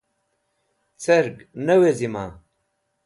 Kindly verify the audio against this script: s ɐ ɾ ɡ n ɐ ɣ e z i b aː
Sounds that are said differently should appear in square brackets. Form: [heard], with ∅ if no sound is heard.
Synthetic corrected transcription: [t͡s] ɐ ɾ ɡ n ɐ [w] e z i [m] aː